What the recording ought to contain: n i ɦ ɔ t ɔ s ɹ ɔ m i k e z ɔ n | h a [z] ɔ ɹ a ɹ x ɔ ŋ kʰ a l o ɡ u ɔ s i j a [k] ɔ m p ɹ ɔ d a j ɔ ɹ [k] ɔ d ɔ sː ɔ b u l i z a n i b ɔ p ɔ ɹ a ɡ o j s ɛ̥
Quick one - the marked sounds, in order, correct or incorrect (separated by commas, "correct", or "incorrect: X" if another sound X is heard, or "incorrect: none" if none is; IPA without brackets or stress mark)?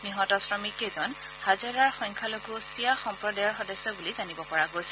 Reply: correct, incorrect: x, incorrect: x